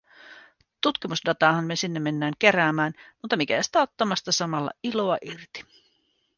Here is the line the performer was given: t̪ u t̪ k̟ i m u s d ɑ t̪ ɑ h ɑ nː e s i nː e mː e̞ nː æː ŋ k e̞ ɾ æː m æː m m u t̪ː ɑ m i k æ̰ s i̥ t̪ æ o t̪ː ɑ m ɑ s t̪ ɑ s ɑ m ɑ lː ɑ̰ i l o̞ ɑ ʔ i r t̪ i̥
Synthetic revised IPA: t̪ u t̪ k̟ i m u s d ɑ t̪ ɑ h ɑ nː e s i nː e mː e̞ nː æː ŋ k e̞ ɾ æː m æː n m u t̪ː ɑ m i k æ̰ s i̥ t̪ æ o t̪ː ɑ m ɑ s t̪ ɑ s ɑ m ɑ lː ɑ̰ i l o̞ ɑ ʔ i r t̪ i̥